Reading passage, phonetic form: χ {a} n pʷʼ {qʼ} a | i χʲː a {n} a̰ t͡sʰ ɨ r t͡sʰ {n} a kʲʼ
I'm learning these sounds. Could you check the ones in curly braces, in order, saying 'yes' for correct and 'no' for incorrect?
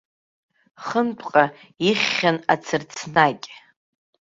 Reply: no, yes, yes, yes

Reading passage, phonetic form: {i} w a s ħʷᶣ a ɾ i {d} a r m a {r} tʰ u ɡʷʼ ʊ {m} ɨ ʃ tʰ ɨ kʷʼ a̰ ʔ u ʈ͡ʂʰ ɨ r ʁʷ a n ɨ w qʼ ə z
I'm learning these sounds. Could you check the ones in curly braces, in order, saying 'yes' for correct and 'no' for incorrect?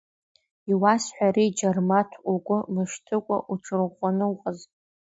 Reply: yes, no, no, yes

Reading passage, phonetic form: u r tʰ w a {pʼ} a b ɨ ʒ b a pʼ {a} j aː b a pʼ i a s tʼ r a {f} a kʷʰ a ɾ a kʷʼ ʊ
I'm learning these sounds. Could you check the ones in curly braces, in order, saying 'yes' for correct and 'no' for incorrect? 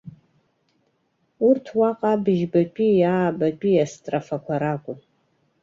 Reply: no, no, yes

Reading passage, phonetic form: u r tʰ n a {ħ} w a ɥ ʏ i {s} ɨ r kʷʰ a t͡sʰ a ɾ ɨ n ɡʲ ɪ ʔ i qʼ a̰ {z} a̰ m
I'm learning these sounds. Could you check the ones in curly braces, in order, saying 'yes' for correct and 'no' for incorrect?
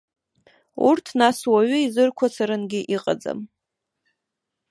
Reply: no, no, no

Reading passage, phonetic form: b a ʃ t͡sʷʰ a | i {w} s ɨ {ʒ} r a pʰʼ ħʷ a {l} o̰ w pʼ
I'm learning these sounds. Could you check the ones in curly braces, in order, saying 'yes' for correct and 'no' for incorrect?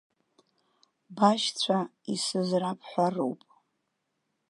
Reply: no, no, no

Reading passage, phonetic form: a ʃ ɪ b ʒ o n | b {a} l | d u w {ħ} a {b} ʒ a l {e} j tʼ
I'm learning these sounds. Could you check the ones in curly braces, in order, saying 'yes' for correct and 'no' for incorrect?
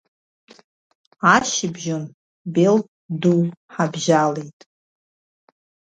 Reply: no, yes, yes, yes

